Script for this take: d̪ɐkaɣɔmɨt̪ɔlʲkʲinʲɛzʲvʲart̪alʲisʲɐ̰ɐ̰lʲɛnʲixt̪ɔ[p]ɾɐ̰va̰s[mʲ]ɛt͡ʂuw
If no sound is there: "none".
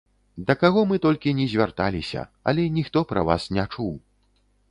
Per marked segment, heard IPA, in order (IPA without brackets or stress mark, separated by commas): p, nʲ